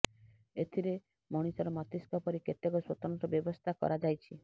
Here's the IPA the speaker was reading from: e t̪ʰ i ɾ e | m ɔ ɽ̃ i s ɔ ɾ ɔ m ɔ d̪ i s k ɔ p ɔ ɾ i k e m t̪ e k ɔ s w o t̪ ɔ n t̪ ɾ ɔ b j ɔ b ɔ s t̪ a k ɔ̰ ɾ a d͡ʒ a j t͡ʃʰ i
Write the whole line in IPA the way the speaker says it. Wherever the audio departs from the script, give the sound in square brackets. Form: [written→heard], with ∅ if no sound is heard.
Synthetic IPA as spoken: e t̪ʰ i ɾ e | m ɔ ɽ̃ i s ɔ ɾ ɔ m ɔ [d̪→t̪] i s k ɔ p ɔ ɾ i k e [m→∅] t̪ e k ɔ s w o t̪ ɔ n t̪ ɾ ɔ b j ɔ b ɔ s [t̪→t̪ʰ] a k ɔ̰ ɾ a d͡ʒ a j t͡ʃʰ i